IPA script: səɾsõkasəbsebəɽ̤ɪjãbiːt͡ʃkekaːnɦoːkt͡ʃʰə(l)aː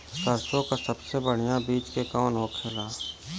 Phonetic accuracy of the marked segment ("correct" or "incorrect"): correct